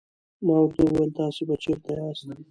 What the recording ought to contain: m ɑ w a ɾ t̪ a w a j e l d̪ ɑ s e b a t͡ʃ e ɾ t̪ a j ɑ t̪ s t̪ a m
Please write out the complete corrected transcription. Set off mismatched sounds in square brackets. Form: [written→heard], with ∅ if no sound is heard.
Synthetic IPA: m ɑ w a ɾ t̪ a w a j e l [d̪→t̪] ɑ s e b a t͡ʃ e ɾ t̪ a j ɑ [t̪→∅] s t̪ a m

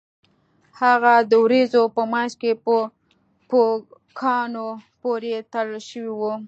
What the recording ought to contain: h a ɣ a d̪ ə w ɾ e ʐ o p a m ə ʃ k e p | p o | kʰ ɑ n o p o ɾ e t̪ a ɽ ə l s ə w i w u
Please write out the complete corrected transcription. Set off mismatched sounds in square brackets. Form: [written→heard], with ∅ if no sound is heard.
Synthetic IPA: h a ɣ a d̪ ə w ɾ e [ʐ→z] o p [a→ə] m [ə→ɑ] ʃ k e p | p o | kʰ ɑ n o p o ɾ e t̪ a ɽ ə l [s→ʃ] ə w i w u

